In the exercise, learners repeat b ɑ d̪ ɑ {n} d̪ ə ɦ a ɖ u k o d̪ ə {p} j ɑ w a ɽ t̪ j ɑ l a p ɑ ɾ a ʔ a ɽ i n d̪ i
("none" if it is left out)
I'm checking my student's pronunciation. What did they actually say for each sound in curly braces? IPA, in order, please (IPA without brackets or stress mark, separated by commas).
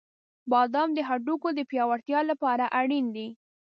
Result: m, p